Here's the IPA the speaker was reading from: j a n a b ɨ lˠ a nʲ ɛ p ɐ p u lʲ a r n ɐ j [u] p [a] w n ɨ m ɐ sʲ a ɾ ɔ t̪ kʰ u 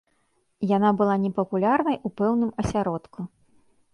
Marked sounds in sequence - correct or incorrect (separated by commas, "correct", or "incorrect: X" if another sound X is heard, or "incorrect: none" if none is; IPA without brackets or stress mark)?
correct, incorrect: ɛ